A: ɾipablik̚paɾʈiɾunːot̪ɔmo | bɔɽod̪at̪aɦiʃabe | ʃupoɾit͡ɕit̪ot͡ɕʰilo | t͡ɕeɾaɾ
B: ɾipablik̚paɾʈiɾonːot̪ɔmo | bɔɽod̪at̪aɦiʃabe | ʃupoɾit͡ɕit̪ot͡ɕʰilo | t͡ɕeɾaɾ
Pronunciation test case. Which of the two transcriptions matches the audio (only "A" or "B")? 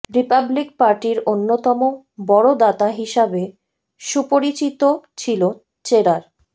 B